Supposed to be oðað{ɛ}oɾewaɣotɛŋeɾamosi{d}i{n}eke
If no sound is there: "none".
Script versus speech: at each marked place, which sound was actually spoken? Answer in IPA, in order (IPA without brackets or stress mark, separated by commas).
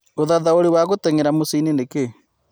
a, n, n